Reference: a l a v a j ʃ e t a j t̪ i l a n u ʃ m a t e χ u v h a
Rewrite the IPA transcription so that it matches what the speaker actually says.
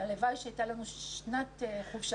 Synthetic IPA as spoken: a l e v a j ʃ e a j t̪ a l a n u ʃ n a t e χ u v ʃ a